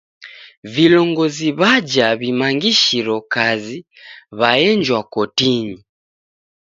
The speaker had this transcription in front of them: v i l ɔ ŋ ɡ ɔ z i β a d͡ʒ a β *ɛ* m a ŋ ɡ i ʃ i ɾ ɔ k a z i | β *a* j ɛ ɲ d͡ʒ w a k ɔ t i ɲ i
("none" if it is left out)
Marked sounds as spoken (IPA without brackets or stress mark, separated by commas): i, a